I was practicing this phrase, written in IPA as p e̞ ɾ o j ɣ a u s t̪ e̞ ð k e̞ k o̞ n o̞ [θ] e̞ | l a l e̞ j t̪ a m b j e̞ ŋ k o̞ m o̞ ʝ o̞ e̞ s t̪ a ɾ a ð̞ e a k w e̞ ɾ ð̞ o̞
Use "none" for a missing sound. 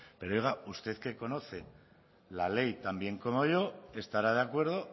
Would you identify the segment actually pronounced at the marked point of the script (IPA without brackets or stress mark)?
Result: θ